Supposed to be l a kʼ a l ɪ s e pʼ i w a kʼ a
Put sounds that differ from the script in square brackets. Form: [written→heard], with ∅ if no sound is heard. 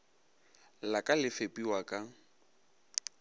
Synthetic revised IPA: l a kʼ a l ɪ [s→f] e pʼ i w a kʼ a